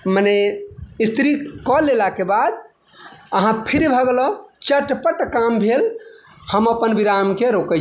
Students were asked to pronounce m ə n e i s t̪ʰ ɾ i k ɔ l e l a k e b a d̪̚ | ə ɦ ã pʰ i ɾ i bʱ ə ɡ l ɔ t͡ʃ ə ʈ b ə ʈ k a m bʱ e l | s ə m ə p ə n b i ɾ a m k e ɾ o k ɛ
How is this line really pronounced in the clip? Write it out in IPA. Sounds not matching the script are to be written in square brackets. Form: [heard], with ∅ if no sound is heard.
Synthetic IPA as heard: m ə n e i s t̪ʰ ɾ i k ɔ l e l a k e b a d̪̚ | ə ɦ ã pʰ i ɾ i bʱ ə ɡ l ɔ t͡ʃ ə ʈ [p] ə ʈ k a m bʱ e l | [h] ə m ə p ə n b i ɾ a m k e ɾ o k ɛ